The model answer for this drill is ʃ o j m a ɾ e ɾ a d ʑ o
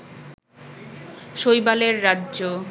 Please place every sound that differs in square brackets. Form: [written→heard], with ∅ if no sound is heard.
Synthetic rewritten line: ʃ o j [m→b] a [ɾ→l] e [ɾ→ɾː] a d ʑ o